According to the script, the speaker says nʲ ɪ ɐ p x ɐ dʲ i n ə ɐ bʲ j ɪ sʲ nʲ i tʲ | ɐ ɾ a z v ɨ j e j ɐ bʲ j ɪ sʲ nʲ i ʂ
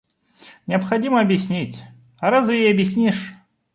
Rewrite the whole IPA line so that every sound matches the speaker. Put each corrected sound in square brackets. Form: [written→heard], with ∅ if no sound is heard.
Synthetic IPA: nʲ ɪ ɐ p x ɐ dʲ i [n→m] ə ɐ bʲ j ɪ sʲ nʲ i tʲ | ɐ ɾ a z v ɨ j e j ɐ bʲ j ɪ sʲ nʲ i ʂ